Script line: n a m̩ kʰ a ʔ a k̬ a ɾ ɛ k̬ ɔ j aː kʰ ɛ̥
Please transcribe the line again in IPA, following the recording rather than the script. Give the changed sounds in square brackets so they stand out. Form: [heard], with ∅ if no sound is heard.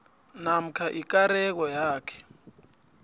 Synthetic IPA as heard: n a m̩ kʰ a ʔ [i] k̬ a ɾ ɛ k̬ ɔ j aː kʰ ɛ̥